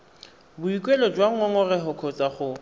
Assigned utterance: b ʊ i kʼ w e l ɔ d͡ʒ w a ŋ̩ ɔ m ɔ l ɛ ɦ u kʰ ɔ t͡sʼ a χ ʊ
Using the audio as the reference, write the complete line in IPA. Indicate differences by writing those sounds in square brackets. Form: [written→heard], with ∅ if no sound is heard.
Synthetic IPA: b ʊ i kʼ w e l ɔ d͡ʒ w a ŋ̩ ɔ [m→ŋ] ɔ [l→r] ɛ ɦ [u→ʊ] kʰ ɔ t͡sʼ a χ ʊ